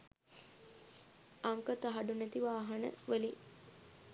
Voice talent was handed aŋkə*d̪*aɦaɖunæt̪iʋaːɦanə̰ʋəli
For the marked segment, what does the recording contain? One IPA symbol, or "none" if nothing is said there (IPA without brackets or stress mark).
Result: t̪